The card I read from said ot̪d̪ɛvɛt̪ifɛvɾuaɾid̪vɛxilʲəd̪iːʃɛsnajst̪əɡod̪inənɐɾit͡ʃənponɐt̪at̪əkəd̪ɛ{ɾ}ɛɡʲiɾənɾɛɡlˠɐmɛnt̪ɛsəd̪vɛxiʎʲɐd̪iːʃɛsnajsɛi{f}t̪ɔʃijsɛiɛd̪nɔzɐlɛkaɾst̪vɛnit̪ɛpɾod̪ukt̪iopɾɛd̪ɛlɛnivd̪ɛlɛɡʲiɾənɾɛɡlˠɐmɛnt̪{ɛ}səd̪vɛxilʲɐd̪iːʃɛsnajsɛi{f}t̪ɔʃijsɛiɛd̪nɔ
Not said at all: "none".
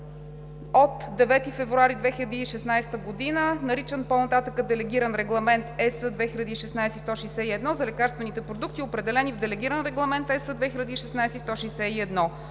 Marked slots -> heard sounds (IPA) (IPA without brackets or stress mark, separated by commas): l, s, ɛ, s